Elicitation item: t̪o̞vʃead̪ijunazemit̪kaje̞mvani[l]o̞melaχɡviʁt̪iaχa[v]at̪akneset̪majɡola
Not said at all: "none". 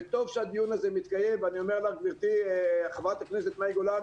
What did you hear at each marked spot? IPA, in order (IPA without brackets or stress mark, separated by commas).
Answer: none, v